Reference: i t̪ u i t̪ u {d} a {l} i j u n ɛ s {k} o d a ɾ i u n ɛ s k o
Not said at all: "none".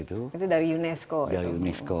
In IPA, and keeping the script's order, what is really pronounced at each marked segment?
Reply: d, ɾ, k

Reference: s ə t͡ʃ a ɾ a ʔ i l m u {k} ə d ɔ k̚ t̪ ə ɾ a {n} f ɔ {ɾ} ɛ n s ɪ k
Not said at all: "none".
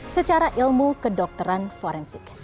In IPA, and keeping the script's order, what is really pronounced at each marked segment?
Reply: k, n, ɾ

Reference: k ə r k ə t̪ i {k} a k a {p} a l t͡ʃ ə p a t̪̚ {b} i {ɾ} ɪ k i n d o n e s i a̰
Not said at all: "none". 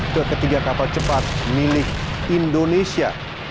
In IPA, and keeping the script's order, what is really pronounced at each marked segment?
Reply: ɡ, p, m, l

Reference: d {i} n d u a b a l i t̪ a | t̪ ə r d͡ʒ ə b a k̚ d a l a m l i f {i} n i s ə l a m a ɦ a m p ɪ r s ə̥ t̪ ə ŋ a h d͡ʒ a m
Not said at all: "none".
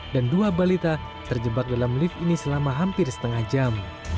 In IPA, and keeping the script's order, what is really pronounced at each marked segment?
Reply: a, i

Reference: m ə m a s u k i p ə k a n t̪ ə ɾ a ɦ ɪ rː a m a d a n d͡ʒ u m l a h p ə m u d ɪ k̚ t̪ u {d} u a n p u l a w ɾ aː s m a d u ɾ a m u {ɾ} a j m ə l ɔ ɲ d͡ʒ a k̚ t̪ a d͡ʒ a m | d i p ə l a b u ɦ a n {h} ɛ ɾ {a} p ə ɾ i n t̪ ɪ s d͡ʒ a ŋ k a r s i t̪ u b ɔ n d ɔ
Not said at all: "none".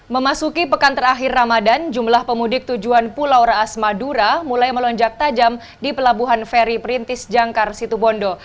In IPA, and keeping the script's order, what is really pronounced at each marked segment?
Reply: d͡ʒ, l, f, i

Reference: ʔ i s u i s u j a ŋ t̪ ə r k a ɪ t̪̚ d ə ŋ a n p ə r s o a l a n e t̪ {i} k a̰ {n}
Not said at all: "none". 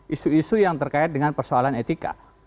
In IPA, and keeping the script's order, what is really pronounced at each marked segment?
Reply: i, none

